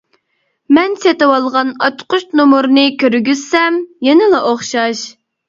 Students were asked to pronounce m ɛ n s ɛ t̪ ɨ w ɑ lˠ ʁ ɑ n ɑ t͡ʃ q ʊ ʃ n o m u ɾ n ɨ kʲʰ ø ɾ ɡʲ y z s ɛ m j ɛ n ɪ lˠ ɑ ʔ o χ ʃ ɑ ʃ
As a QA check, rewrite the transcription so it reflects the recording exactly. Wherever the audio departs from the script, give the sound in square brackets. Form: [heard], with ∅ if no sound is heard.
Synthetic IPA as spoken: m ɛ n s [e] t̪ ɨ w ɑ lˠ ʁ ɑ n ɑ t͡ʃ q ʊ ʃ n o m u ɾ n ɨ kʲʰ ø ɾ ɡʲ y z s ɛ m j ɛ n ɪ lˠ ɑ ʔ o χ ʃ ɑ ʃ